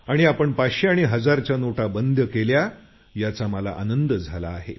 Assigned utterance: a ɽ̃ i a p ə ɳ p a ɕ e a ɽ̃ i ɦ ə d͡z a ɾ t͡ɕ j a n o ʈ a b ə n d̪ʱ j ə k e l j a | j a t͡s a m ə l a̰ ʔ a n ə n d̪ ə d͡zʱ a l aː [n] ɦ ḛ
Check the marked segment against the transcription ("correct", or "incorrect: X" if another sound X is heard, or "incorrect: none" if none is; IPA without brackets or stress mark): incorrect: none